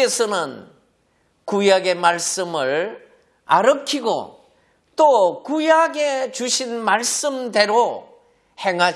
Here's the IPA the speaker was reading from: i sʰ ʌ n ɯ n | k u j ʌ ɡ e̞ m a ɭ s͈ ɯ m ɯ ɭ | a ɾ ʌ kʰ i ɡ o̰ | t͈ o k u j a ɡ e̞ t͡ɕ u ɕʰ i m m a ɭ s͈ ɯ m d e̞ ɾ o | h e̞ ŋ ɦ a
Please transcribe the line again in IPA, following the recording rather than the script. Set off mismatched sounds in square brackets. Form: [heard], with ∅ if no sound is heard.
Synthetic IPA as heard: [e] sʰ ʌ n ɯ n | k u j [a] ɡ e̞ m a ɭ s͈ ɯ m ɯ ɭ | a ɾ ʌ kʰ i ɡ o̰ | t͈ o k u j a ɡ e̞ t͡ɕ u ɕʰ i [n] m a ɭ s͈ ɯ m d e̞ ɾ o | h e̞ ŋ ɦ a